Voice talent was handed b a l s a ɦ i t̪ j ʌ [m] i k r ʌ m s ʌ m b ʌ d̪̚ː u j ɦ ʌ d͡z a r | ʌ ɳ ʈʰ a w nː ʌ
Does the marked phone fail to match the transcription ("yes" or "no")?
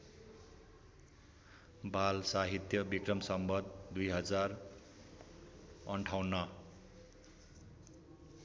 yes